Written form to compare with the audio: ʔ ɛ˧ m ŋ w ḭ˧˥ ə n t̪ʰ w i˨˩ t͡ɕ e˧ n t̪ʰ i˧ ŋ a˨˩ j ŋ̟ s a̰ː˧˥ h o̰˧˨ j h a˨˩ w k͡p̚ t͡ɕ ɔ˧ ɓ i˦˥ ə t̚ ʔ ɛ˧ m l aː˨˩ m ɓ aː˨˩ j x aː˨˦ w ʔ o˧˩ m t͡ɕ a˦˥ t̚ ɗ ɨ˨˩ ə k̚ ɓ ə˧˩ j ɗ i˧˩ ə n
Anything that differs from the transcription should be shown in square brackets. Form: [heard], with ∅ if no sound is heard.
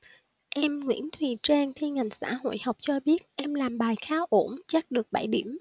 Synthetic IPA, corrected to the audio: ʔ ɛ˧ m ŋ w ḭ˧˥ ə n t̪ʰ w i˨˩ t͡ɕ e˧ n t̪ʰ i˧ ŋ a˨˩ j ŋ̟ s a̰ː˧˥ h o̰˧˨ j h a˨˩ w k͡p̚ t͡ɕ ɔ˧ ɓ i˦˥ ə t̚ ʔ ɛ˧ m l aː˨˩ m ɓ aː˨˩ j x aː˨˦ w ʔ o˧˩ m t͡ɕ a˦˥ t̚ ɗ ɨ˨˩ ə k̚ ɓ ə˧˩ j ɗ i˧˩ ə [m]